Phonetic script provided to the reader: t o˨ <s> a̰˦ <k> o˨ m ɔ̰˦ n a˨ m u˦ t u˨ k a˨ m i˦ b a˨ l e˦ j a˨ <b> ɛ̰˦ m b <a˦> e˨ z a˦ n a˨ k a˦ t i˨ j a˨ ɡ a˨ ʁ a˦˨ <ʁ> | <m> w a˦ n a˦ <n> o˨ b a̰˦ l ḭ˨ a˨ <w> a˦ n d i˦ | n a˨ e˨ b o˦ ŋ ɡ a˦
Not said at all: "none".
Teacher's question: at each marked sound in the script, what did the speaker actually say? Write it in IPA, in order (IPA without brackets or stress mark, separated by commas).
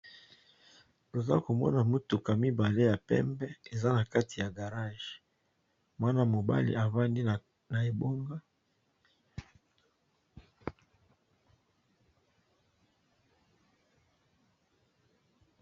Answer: z, k, p, ɛ˦, ʒ, m, m, v